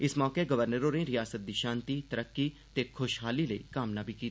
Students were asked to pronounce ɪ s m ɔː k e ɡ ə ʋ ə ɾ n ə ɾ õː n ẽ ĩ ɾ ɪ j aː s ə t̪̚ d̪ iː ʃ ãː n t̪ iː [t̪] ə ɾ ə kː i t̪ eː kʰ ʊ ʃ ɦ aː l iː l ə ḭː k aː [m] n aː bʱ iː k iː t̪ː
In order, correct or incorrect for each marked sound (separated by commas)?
correct, correct